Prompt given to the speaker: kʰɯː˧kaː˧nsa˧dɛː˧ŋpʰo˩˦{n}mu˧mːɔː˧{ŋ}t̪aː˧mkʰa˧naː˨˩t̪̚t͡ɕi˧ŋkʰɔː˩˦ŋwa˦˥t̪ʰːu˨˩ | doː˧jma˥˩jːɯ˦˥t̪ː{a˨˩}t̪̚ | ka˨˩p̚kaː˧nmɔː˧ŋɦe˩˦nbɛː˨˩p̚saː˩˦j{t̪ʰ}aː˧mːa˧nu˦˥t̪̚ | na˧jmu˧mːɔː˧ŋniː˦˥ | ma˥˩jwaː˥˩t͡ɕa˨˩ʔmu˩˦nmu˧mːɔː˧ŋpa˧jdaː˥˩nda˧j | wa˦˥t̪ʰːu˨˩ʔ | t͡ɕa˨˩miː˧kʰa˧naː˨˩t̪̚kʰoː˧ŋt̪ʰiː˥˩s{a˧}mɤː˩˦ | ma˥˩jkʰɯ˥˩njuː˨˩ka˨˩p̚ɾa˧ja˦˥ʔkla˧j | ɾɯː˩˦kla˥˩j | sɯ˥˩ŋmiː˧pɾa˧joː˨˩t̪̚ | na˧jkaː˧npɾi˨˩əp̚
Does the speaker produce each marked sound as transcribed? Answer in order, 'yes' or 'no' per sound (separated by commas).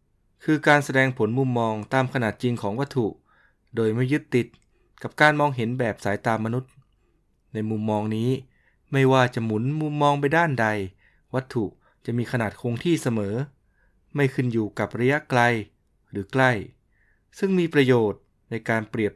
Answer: yes, yes, no, no, yes